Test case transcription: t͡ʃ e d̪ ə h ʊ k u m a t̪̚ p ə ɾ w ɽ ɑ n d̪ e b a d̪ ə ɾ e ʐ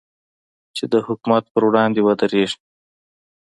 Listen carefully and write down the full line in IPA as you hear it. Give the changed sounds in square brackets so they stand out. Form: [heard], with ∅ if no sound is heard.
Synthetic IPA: t͡ʃ e d̪ ə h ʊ k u m a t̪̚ p ə ɾ w ɽ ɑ n d̪ e [w] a d̪ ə ɾ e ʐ